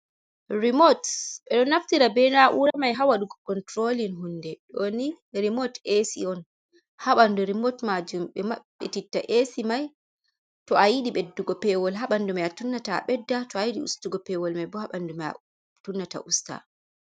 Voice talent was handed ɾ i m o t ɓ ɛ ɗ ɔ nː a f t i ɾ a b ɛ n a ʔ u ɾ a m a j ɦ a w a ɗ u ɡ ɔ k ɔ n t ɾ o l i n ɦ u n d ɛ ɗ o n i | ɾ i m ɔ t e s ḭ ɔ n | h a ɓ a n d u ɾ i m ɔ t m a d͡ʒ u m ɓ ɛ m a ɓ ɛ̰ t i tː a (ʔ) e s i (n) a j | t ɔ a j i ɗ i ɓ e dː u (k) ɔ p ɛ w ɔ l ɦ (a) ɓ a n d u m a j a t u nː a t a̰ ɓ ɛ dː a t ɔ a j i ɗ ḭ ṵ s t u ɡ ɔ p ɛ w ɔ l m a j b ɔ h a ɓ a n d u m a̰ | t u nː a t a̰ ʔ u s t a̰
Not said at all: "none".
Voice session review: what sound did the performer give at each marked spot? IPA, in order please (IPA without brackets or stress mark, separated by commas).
ʔ, m, ɡ, a